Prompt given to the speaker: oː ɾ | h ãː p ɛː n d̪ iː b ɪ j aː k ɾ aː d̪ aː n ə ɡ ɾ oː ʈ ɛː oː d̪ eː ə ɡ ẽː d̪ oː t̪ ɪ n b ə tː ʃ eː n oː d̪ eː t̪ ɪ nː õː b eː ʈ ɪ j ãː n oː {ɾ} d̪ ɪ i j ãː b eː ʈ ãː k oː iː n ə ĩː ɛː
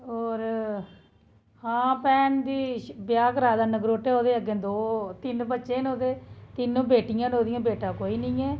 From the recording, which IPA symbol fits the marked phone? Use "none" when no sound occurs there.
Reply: none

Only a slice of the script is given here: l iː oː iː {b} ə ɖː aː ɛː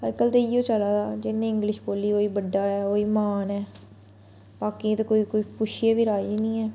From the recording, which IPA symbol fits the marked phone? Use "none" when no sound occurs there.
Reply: b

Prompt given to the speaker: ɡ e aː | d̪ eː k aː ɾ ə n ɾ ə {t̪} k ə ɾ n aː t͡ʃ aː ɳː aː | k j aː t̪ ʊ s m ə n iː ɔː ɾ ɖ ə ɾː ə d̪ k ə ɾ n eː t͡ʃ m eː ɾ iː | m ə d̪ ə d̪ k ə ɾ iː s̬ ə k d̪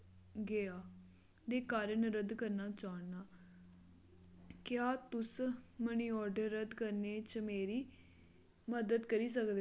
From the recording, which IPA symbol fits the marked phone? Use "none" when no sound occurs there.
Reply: d̪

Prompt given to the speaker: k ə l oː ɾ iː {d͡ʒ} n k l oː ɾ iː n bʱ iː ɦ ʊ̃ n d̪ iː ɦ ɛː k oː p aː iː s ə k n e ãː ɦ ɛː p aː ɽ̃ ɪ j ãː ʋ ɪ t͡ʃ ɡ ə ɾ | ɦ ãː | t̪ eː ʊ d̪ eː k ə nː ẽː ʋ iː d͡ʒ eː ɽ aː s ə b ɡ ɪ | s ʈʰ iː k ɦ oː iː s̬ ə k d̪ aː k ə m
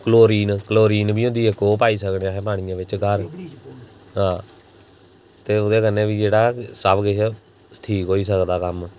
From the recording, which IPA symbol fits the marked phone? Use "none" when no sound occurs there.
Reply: none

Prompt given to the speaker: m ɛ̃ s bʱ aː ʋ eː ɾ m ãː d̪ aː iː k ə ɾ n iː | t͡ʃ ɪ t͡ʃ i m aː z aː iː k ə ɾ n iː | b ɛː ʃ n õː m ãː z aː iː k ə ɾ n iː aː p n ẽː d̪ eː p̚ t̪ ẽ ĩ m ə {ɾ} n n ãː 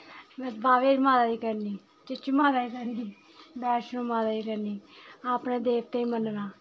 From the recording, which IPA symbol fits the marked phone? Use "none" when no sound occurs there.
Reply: none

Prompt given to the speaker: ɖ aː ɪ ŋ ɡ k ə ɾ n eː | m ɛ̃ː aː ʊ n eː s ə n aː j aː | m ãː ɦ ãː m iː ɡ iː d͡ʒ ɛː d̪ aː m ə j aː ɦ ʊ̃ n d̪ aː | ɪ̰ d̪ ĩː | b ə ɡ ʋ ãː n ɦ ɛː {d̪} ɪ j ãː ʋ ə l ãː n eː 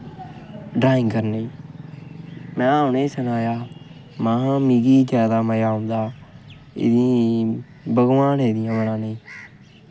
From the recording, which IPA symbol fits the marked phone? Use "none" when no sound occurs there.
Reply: d̪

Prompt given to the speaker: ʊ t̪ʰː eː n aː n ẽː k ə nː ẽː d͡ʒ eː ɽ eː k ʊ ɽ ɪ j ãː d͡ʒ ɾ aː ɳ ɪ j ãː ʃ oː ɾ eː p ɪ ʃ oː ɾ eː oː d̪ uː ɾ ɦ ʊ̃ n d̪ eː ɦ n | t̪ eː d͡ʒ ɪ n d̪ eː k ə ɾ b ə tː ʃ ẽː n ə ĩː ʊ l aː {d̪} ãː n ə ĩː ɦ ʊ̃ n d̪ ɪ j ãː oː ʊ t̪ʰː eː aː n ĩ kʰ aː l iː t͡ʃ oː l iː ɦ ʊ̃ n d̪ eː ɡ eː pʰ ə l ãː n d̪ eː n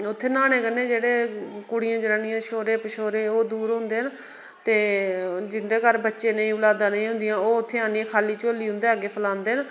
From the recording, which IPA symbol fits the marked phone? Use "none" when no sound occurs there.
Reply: d̪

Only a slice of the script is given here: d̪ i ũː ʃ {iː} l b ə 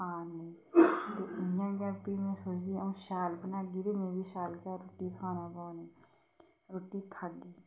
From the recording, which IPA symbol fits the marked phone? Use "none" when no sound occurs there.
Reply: aː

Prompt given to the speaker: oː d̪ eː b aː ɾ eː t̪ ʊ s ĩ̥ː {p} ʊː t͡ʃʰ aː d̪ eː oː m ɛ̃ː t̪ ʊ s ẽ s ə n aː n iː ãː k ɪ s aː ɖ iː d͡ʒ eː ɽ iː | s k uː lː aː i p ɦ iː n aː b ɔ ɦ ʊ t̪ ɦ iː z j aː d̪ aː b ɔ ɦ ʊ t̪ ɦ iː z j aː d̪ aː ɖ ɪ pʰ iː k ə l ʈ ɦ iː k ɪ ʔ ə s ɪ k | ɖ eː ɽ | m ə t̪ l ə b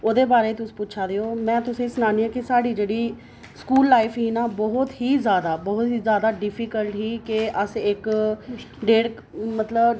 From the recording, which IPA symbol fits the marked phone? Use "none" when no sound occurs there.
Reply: p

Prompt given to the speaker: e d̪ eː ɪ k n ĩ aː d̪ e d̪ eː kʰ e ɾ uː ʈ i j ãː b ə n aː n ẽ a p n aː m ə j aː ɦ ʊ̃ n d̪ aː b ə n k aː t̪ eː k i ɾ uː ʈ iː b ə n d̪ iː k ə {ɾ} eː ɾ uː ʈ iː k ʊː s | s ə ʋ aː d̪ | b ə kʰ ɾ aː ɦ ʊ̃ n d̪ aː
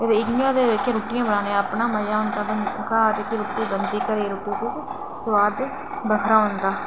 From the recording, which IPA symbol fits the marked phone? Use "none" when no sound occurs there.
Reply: ɾ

